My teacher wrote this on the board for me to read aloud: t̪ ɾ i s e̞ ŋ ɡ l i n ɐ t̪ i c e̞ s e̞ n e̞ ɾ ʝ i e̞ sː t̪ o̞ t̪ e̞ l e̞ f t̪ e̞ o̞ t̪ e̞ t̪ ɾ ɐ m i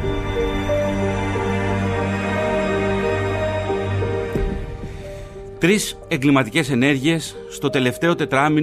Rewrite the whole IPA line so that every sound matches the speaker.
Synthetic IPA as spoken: t̪ ɾ i s e̞ ŋ ɡ l i m ɐ t̪ i c e̞ s e̞ n e̞ ɾ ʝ i e̞ sː t̪ o̞ t̪ e̞ l e̞ f t̪ e̞ o̞ t̪ e̞ t̪ ɾ ɐ m i